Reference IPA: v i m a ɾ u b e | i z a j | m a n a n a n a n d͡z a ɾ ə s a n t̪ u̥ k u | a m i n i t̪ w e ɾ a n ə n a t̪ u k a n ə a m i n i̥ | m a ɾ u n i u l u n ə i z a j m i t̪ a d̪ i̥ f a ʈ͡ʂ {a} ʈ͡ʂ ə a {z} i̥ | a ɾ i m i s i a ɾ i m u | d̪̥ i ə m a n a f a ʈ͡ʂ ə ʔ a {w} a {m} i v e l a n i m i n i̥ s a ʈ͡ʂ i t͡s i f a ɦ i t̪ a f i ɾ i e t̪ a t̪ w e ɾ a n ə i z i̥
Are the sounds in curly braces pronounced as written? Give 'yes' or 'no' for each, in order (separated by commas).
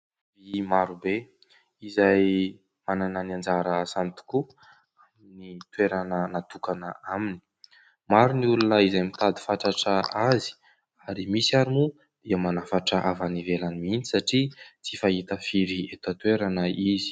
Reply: yes, yes, no, no